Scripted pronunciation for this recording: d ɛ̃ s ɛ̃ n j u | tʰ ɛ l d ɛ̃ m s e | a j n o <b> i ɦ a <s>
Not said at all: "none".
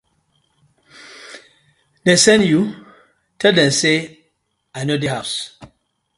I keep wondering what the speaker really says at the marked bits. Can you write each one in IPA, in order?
d, s

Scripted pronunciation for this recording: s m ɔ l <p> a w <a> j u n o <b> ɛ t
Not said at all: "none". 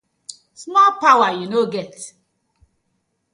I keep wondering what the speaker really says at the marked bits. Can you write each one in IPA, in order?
p, a, ɡ

